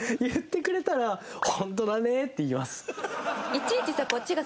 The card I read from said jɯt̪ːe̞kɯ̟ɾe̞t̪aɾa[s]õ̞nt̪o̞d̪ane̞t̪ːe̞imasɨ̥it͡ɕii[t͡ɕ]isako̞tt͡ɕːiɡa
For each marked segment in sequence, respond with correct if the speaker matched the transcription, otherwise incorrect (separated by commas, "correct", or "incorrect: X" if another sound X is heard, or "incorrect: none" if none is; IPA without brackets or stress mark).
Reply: incorrect: h, correct